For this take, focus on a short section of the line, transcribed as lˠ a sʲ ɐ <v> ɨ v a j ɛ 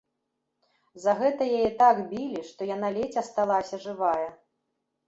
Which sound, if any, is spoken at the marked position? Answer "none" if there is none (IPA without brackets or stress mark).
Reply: ʐ